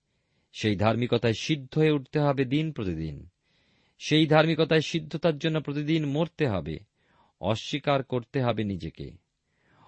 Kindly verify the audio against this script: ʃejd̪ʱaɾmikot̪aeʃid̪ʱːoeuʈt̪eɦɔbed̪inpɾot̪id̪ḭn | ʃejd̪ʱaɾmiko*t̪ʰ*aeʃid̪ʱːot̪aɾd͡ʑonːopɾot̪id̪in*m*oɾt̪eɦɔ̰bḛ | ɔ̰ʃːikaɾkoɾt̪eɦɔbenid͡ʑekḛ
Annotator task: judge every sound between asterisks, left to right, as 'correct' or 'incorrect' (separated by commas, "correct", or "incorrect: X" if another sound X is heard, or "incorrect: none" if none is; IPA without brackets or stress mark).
incorrect: t̪, correct